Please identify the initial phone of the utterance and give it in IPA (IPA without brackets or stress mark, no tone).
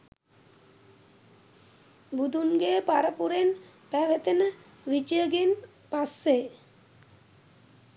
b